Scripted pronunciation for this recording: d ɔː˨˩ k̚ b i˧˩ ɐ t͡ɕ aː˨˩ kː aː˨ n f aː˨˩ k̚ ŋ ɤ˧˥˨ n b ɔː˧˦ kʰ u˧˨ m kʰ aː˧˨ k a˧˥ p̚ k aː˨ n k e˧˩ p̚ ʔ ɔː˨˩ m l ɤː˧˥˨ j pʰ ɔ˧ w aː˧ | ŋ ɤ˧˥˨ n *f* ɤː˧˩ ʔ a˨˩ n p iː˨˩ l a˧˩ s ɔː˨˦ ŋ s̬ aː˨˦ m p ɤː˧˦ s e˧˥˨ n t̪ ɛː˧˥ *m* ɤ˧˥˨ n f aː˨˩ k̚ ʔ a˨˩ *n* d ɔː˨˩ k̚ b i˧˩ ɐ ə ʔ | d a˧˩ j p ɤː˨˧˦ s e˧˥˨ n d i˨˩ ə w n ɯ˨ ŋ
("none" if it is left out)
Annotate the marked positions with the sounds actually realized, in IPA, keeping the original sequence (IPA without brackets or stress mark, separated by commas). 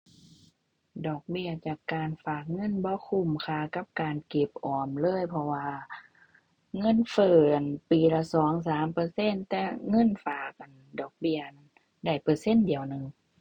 f, ŋ, n